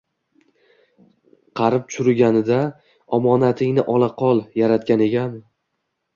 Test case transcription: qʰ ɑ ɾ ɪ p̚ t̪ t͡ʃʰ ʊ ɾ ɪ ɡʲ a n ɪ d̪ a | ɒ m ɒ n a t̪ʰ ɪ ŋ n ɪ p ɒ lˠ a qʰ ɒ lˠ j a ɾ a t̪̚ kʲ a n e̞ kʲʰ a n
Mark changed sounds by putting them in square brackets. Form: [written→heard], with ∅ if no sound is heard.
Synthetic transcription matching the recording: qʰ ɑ ɾ ɪ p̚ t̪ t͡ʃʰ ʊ ɾ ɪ ɡʲ a n ɪ d̪ a | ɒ m ɒ n a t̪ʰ ɪ ŋ n ɪ [p→ʔ] ɒ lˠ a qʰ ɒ lˠ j a ɾ a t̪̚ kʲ a n e̞ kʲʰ a n